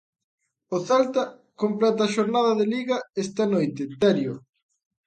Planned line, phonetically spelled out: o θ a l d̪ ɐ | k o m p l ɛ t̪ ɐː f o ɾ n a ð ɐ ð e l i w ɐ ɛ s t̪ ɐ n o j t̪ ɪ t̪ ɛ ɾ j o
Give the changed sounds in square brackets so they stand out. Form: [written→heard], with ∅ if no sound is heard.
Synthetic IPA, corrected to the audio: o θ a l [d̪→t̪] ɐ | k o m p l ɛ t̪ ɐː [f→ʃ] o ɾ n a ð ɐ ð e l i [w→ɣ] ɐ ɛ s t̪ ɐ n o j t̪ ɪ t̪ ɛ ɾ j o